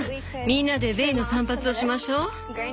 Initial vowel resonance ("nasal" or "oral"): nasal